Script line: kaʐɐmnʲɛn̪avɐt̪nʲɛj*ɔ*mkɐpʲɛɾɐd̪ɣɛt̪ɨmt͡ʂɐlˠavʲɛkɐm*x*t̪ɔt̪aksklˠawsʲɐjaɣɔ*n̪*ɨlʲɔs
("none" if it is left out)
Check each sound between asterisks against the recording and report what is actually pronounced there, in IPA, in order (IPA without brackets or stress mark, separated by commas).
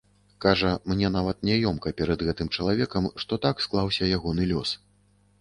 ɔ, ʂ, n̪